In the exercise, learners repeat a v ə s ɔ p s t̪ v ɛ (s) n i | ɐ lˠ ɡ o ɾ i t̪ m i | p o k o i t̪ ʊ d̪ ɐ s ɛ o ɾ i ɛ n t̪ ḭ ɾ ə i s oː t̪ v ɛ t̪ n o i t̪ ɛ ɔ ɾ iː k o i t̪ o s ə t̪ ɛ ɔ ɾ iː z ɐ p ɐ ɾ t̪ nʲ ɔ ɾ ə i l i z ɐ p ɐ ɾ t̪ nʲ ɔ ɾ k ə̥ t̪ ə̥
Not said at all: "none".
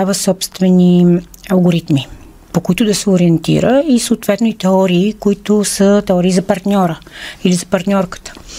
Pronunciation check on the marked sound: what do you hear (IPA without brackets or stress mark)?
none